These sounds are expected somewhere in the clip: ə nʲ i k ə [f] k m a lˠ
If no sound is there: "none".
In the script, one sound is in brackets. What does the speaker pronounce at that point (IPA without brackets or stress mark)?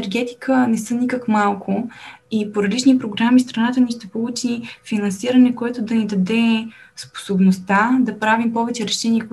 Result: none